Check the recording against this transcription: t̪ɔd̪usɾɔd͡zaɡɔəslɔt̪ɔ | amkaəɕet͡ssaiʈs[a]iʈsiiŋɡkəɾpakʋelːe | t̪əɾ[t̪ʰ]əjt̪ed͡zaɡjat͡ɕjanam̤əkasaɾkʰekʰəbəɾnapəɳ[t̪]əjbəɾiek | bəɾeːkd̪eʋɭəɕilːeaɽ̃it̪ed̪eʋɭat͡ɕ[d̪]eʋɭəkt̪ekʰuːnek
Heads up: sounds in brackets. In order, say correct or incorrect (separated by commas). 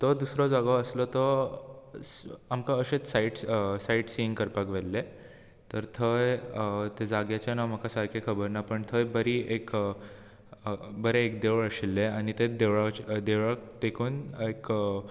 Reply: correct, correct, incorrect, correct